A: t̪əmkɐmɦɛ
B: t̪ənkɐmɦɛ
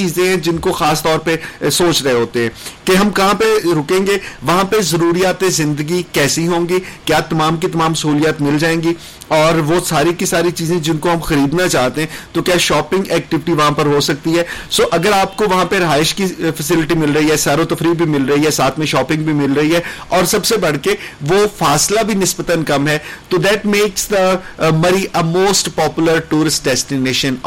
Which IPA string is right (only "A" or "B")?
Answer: B